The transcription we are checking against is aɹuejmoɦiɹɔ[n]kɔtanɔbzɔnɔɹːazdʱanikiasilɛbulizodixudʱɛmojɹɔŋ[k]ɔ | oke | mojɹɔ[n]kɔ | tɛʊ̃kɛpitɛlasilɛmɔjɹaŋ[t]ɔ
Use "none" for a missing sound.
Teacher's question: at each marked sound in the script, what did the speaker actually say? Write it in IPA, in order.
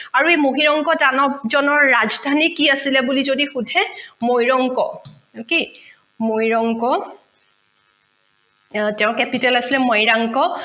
ŋ, k, ŋ, k

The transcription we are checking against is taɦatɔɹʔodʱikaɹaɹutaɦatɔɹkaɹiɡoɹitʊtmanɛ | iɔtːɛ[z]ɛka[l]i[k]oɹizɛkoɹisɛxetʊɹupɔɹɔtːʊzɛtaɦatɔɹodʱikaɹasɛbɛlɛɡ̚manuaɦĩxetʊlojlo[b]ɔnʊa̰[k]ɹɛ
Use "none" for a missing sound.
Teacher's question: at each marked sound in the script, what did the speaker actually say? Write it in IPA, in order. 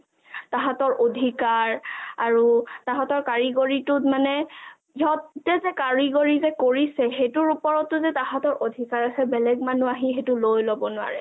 z, ɹ, ɡ, b, none

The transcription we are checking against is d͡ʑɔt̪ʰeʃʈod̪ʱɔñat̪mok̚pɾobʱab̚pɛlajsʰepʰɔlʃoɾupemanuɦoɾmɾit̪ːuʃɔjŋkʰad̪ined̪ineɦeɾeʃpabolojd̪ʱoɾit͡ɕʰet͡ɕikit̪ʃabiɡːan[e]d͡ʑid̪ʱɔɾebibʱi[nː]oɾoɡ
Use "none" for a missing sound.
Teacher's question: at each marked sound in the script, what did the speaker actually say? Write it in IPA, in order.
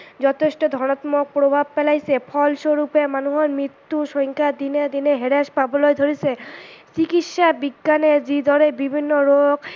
e, nː

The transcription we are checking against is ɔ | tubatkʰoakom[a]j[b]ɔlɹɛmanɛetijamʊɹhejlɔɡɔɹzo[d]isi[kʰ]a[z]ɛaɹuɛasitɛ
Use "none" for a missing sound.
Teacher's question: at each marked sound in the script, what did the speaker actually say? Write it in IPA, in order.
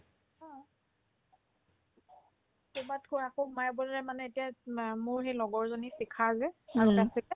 a, b, n, kʰ, z

